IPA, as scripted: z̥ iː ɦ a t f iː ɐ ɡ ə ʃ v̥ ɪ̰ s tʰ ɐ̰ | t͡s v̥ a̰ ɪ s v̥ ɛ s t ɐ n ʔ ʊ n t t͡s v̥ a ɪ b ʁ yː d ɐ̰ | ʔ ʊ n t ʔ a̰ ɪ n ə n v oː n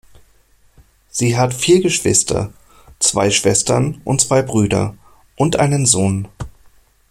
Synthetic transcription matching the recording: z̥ iː ɦ a t f iː ɐ ɡ ə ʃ v̥ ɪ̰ s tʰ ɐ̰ | t͡s v̥ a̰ ɪ ʃ v̥ ɛ s t ɐ n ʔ ʊ n t t͡s v̥ a ɪ b ʁ yː d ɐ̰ | ʔ ʊ n t ʔ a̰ ɪ n ə n z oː n

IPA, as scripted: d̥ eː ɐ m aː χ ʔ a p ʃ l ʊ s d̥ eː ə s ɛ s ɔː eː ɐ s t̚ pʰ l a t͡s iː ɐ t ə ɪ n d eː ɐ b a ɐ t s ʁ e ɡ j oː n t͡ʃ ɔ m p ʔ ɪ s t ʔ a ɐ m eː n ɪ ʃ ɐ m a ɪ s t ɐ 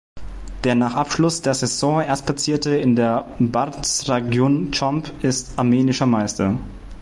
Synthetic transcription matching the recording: d̥ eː ɐ n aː χ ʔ a p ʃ l ʊ s d̥ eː ɐ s ɛ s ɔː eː ɐ s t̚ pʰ l a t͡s iː ɐ t ə ɪ n d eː ɐ b a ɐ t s ʁ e ɡ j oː n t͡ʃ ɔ m p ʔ ɪ s t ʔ a ɐ m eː n ɪ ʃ ɐ m a ɪ s t ɐ

